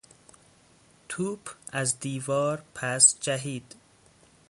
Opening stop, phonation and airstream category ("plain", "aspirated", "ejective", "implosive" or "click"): aspirated